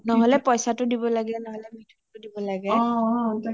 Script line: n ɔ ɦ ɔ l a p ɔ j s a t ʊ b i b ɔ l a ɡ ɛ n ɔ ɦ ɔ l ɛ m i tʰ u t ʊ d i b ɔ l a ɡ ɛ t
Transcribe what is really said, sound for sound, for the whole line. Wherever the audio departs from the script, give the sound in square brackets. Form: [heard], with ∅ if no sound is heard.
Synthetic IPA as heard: n ɔ ɦ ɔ l [ɛ] p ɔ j s a t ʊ [d] i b ɔ l a ɡ ɛ n ɔ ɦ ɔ l ɛ m i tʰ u t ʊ d i b ɔ l a ɡ ɛ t